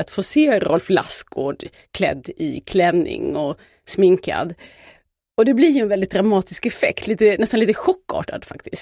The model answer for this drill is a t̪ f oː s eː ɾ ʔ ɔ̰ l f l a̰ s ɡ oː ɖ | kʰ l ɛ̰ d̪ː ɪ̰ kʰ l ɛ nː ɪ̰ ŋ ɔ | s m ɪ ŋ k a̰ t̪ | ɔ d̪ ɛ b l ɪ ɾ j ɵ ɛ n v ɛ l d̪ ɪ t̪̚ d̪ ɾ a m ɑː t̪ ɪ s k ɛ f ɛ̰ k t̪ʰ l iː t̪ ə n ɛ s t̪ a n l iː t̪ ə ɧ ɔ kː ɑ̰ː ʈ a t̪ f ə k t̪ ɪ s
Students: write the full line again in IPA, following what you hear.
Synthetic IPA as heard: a t̪ f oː s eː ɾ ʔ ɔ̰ l f l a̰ s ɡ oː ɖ | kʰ l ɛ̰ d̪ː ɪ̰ kʰ l ɛ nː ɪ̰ ŋ ɔ | s m ɪ ŋ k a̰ d̪ | ɔ d̪ ɛ b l ɪ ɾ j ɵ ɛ n v ɛ l d̪ ɪ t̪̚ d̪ ɾ a m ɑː t̪ ɪ s k ɛ f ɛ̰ k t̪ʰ l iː t̪ ə n ɛ s t̪ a n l iː t̪ ə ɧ ɔ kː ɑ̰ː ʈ a d̪ f a k t̪ ɪ s